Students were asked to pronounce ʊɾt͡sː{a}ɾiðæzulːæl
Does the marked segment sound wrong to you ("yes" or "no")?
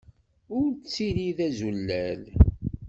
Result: yes